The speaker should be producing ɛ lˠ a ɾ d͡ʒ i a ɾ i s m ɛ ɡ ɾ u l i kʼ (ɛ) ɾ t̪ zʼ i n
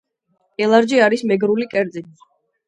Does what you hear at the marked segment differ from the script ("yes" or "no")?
no